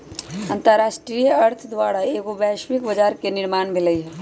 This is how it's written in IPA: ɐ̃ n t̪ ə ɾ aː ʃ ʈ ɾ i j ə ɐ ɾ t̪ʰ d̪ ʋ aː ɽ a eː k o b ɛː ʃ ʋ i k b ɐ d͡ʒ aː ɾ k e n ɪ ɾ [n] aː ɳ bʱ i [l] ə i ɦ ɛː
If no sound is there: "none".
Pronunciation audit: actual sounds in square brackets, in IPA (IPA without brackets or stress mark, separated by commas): m, l